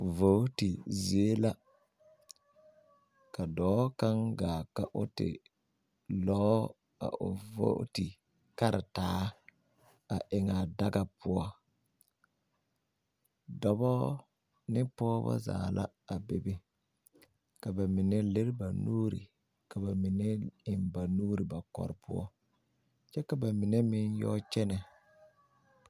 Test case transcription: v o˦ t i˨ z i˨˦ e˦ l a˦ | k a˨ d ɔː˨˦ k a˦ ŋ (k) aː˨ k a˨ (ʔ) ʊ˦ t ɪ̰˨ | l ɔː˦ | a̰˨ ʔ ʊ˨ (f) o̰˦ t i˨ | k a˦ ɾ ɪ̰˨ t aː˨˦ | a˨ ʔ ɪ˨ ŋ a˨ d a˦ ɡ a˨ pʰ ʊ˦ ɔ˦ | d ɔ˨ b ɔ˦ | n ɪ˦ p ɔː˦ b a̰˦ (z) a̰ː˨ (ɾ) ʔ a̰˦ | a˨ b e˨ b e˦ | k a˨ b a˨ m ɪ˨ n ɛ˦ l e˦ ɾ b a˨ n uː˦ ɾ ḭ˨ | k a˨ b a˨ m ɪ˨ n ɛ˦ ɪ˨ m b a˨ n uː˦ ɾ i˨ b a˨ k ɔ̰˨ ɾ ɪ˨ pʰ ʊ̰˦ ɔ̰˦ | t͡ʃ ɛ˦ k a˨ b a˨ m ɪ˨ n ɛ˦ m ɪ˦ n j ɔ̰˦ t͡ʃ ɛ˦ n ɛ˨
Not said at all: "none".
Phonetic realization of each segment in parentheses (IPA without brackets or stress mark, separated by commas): ɡ, ʔ, v, z, l